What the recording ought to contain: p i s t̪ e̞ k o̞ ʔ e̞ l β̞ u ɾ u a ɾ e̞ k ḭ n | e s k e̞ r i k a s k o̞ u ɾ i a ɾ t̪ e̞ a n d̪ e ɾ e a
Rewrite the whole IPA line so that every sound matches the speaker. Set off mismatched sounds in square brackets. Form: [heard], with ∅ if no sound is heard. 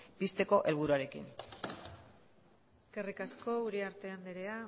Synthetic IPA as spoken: p i s t̪ e̞ k o̞ ʔ e̞ l β̞ u ɾ u a ɾ e̞ k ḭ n | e s k e̞ r i k a s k o̞ u ɾ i a ɾ t̪ e̞ a n d̪ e ɾ e a